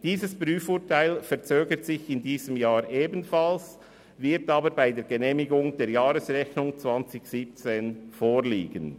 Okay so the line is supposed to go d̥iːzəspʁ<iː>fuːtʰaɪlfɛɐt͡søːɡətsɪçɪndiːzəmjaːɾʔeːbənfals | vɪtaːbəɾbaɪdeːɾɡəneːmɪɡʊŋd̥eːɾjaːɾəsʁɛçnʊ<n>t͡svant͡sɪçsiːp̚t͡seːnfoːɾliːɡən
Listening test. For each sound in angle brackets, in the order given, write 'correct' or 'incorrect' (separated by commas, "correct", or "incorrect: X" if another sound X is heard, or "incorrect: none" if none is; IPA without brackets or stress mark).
incorrect: yː, incorrect: ŋ